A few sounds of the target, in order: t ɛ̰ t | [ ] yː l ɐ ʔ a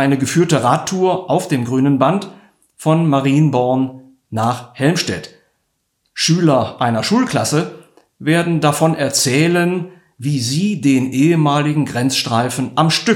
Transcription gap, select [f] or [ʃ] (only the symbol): ʃ